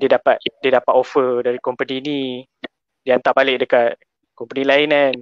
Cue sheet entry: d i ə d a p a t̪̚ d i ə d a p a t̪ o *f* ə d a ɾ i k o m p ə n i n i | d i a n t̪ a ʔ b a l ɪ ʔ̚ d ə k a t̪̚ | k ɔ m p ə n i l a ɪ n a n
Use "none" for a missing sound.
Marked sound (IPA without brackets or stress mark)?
f